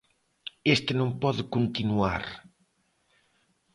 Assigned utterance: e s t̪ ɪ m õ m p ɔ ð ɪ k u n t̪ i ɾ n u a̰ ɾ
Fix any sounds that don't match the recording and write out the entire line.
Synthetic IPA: e s t̪ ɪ n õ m p ɔ ð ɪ k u n t̪ i n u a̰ ɾ